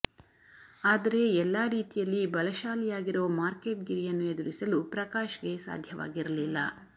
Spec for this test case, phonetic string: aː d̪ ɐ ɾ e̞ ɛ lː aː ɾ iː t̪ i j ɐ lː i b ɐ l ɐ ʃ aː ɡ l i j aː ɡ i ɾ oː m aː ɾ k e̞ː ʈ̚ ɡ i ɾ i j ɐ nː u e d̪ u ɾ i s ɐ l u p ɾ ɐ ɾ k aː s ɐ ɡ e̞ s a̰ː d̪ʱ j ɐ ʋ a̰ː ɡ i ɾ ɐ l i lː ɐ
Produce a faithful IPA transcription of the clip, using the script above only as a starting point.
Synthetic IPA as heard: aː d̪ ɐ ɾ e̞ ɛ lː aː ɾ iː t̪ i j ɐ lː i b ɐ l ɐ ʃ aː l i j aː ɡ i ɾ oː m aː ɾ k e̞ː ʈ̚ ɡ i ɾ i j ɐ nː u e d̪ u ɾ i s ɐ l u p ɾ ɐ k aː ʃ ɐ ɡ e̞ s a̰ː d̪ʱ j ɐ ʋ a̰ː ɡ i ɾ ɐ l i lː ɐ